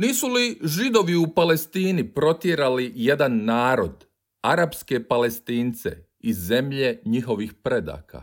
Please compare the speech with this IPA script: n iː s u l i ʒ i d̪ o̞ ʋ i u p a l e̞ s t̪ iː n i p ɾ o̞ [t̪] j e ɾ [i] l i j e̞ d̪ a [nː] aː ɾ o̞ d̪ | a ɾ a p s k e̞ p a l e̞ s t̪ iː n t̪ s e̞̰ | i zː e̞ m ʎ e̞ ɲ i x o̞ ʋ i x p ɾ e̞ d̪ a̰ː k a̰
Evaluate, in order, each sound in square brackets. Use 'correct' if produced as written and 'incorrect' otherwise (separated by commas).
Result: correct, incorrect, correct